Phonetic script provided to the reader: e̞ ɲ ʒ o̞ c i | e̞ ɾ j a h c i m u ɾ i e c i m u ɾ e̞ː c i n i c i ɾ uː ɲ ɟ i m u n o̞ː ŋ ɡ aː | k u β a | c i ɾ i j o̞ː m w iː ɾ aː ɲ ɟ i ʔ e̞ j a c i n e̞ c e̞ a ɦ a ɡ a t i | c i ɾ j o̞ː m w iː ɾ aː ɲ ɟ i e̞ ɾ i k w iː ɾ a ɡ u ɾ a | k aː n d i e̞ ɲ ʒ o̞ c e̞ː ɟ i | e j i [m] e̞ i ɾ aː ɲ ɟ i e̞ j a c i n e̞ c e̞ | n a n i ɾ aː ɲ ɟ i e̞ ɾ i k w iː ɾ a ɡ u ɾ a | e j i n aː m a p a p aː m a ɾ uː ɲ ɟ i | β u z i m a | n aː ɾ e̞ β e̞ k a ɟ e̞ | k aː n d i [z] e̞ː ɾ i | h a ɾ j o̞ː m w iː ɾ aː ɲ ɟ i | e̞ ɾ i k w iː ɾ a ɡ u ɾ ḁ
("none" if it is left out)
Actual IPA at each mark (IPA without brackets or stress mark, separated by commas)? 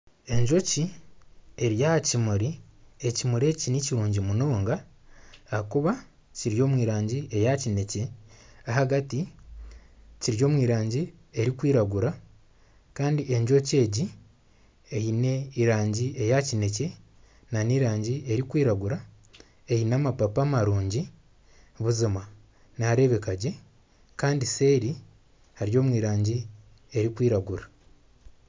n, s